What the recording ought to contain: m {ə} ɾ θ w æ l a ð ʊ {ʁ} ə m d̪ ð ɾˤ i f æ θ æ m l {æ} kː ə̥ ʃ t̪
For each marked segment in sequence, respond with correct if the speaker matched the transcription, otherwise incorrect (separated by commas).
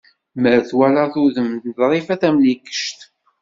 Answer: correct, incorrect, incorrect